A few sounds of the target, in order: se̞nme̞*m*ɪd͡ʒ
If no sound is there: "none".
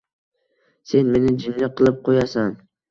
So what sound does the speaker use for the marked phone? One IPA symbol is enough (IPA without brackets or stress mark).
n